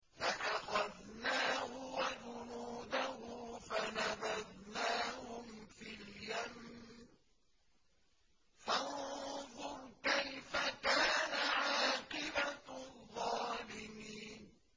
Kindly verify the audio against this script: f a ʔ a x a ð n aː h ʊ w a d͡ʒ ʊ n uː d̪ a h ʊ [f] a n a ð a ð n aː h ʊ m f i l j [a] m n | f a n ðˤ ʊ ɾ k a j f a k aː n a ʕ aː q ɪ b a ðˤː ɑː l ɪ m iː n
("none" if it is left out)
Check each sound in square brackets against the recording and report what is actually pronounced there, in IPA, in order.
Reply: f, a

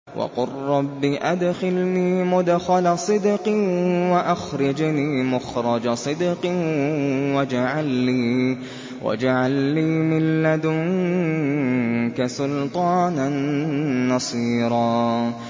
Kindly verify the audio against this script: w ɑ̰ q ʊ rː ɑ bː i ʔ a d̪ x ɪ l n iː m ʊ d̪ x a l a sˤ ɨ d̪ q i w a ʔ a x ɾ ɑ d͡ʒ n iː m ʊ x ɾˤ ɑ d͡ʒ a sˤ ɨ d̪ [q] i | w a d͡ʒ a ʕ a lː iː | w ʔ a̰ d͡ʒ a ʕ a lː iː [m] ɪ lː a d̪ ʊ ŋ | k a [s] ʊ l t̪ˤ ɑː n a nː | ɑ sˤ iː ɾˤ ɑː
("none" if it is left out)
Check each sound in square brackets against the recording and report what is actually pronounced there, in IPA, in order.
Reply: q, m, s

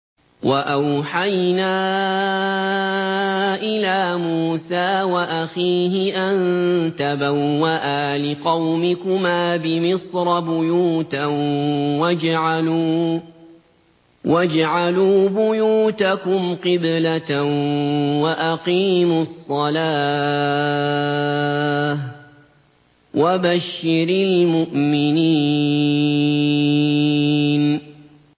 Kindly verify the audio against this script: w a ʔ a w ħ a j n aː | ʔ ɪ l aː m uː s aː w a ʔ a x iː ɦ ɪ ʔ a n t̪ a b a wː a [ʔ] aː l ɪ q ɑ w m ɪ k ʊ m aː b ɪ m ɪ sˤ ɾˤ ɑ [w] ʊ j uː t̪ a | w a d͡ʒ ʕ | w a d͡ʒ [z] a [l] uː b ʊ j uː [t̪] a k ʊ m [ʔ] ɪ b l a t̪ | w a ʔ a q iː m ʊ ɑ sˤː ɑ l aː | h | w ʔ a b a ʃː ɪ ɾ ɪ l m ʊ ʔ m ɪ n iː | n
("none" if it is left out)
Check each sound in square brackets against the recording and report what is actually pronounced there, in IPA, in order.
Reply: ʔ, b, ʕ, l, t̪, q

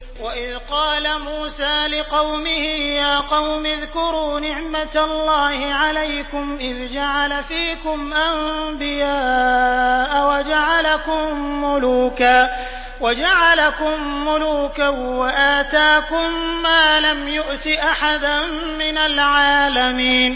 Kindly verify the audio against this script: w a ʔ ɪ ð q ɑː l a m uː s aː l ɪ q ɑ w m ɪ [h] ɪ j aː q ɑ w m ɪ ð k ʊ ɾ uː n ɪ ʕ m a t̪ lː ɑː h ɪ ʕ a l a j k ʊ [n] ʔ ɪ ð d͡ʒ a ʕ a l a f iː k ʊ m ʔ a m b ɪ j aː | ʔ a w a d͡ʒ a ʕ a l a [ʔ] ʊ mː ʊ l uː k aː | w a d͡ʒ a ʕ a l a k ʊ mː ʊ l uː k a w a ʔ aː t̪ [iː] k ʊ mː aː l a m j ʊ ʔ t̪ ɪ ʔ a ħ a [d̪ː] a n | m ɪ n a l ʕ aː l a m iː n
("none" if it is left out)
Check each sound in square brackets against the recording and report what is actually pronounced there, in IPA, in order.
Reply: h, m, k, aː, d̪

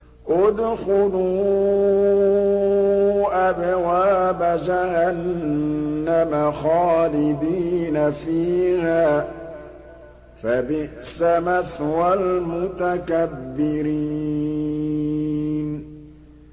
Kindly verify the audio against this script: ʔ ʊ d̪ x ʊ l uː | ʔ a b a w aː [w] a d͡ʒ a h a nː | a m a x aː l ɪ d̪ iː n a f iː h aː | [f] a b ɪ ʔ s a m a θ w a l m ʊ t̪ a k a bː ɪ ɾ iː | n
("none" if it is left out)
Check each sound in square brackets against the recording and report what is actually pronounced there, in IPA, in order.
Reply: b, f

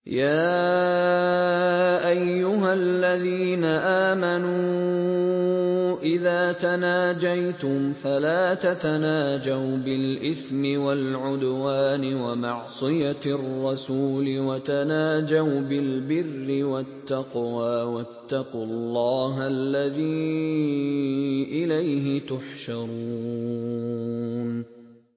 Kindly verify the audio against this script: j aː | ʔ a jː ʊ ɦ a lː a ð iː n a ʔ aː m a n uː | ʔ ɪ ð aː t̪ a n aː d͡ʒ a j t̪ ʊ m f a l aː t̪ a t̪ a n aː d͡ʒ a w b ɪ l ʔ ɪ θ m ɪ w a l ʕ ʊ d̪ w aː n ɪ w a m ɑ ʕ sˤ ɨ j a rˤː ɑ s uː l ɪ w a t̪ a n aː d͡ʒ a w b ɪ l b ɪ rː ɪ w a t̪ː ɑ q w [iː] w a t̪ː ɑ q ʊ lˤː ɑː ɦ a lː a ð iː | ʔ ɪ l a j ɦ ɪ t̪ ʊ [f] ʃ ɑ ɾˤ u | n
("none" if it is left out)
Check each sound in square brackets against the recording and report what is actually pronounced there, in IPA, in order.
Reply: aː, ħ

